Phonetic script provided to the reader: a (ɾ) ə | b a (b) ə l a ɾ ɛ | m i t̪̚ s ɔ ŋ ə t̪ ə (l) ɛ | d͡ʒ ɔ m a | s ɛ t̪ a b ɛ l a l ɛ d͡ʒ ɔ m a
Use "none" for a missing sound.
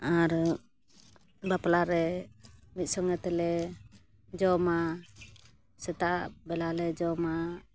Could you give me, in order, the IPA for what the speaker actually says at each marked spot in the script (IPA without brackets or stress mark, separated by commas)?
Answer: ɾ, p, l